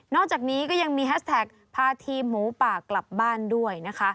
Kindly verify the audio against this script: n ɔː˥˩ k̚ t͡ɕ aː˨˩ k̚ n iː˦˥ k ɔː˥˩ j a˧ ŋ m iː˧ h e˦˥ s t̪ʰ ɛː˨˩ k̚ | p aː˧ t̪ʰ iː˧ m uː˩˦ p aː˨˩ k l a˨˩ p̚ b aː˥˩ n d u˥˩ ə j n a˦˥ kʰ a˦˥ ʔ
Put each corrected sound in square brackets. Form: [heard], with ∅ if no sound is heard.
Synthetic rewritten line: n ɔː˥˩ k̚ t͡ɕ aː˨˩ k̚ n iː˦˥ k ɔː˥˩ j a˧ ŋ m iː˧ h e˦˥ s t̪ʰ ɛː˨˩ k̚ | [pʰ] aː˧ t̪ʰ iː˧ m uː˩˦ p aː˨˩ k l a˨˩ p̚ b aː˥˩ n d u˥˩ ə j n a˦˥ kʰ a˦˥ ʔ

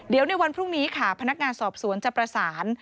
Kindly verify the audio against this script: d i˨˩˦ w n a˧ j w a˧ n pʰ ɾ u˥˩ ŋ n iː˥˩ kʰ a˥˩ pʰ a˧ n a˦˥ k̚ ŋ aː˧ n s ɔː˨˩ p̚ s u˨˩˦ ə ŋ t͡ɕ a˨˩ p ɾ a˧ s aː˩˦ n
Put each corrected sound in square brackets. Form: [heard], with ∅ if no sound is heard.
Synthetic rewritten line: d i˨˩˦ w n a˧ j w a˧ n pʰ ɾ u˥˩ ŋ n [iː˦˥] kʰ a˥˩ pʰ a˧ n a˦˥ k̚ ŋ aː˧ n s ɔː˨˩ p̚ s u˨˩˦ ə [n] t͡ɕ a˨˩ p ɾ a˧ s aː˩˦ n

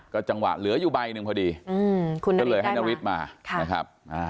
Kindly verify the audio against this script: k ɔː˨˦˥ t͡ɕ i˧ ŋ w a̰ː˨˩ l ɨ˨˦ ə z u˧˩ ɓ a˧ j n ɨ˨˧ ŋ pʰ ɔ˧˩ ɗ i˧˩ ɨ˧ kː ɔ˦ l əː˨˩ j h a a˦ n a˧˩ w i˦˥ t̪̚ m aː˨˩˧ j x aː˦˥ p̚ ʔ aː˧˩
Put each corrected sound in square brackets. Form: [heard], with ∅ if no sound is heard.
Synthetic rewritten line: k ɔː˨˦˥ t͡ɕ [a˧] ŋ w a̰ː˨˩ l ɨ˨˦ ə z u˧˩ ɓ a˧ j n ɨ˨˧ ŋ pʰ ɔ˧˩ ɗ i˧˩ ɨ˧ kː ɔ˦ l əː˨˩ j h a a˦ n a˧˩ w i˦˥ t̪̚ m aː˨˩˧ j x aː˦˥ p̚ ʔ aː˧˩

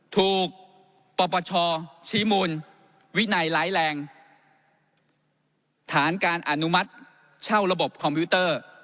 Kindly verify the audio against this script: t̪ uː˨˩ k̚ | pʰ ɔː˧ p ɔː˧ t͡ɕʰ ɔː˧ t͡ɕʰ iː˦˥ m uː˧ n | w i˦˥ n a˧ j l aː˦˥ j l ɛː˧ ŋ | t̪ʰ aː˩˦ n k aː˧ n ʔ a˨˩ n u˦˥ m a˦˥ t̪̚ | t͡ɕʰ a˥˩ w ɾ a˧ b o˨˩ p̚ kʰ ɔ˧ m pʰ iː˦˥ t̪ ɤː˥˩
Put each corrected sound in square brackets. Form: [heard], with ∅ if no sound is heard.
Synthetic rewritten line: [t̪ʰ] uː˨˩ k̚ | [p] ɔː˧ p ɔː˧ t͡ɕʰ ɔː˧ t͡ɕʰ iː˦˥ m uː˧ n | w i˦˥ n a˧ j l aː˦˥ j l ɛː˧ ŋ | t̪ʰ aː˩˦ n k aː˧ n ʔ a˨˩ n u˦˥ m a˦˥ t̪̚ | t͡ɕʰ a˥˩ w ɾ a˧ b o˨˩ p̚ kʰ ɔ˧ m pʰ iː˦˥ t̪ ɤː˥˩

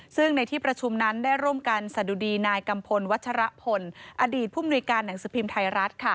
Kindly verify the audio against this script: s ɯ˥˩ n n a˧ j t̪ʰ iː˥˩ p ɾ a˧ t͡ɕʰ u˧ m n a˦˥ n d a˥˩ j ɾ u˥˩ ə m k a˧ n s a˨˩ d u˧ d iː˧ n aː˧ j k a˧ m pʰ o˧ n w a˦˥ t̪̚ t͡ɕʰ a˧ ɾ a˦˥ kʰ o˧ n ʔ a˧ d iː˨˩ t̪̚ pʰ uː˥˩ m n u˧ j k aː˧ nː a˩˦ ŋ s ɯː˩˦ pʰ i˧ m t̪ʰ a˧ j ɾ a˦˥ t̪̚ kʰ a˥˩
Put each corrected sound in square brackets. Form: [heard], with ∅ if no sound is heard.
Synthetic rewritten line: s ɯ˥˩ [ŋ] n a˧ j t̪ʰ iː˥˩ p ɾ a˧ t͡ɕʰ u˧ m n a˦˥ n d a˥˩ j ɾ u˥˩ ə m k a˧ n s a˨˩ d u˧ d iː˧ n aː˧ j k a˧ m pʰ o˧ n w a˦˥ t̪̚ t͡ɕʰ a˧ ɾ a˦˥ [pʰ] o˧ n ʔ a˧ d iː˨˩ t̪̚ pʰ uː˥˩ m n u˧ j k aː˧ nː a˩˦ ŋ s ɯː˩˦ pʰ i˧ m t̪ʰ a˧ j ɾ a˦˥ t̪̚ kʰ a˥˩

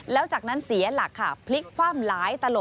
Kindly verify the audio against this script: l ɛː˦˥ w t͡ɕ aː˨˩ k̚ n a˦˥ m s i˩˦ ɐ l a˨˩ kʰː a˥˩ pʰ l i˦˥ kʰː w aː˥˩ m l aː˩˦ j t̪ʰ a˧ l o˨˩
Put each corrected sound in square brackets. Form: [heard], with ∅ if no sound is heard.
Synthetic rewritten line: l ɛː˦˥ w t͡ɕ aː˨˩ k̚ n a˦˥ [n] s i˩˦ ɐ l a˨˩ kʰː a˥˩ pʰ l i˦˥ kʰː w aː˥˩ m l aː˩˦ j [t̪] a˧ l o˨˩

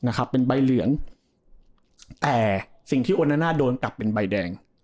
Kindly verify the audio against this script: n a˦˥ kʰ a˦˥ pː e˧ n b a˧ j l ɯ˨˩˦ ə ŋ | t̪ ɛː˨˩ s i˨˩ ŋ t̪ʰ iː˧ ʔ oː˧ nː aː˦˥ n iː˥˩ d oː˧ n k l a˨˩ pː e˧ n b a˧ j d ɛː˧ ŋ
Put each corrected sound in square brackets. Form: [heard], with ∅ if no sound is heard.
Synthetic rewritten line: n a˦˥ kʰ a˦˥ pː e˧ n b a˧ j l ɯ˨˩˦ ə ŋ | t̪ ɛː˨˩ s i˨˩ ŋ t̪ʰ [iː˥˩] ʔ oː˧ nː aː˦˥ n [aː˥˩] d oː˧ n k l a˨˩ pː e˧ n b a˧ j d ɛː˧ ŋ

